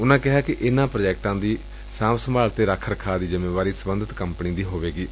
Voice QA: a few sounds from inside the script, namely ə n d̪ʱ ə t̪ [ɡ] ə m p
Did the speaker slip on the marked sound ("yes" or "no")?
yes